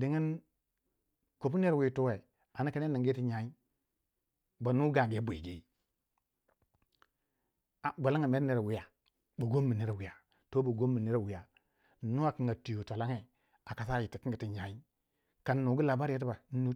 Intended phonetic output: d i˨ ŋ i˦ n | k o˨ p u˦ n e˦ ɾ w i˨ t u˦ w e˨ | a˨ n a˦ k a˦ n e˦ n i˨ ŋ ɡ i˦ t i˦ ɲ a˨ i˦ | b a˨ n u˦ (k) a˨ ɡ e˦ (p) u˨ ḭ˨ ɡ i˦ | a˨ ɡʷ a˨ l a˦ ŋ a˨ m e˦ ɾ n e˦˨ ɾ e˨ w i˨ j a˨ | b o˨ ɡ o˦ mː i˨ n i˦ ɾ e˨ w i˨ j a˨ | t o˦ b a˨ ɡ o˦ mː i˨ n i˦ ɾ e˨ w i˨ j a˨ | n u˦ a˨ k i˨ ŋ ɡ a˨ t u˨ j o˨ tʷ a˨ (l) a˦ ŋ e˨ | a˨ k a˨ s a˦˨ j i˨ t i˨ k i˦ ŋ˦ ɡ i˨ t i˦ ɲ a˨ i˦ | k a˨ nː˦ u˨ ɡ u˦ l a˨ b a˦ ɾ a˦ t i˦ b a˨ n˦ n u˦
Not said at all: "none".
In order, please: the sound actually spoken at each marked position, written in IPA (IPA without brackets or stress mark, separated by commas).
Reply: ɡ, b, l